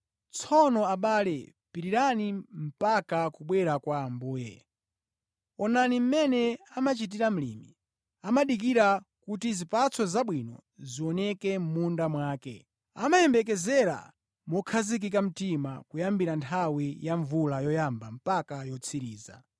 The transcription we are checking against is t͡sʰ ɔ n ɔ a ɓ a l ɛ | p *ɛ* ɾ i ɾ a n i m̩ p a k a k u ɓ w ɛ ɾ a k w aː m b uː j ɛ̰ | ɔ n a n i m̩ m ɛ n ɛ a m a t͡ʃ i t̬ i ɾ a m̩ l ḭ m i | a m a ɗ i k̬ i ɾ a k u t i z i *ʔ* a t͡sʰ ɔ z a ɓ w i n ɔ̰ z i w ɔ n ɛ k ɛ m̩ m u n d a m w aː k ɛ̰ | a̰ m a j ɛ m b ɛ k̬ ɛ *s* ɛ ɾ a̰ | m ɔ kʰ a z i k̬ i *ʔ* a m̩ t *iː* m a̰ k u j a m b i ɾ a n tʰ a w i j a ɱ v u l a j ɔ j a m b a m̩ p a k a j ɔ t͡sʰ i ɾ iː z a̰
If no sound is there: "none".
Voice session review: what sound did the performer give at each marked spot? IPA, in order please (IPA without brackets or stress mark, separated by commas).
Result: i, p, z, k, i